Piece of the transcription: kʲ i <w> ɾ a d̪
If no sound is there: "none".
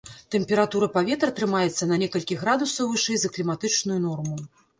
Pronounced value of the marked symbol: ɣ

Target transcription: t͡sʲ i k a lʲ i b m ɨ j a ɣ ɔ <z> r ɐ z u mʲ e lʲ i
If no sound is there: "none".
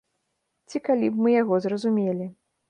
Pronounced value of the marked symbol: z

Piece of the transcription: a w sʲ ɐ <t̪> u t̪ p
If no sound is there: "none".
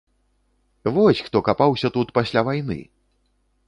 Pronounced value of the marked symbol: t̪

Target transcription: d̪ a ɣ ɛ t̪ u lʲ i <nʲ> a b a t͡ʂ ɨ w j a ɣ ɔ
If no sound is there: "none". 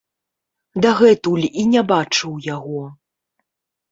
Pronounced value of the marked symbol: nʲ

